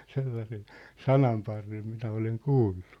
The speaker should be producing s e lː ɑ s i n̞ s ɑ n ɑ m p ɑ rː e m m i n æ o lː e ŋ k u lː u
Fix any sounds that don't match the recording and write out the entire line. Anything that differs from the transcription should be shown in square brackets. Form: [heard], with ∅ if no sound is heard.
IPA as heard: s e lː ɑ s [e] n̞ s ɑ n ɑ m p ɑ rː e m m i n æ o [l] e ŋ k [uː] lː u